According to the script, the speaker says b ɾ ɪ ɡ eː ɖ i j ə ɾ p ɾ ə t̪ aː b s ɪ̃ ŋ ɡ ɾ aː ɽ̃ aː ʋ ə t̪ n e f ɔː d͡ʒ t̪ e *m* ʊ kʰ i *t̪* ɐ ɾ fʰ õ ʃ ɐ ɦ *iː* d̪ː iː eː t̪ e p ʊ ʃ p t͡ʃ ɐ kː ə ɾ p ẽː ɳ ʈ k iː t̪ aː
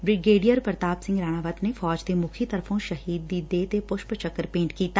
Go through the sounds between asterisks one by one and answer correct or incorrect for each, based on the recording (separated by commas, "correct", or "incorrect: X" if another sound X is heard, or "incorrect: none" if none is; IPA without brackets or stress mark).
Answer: correct, correct, correct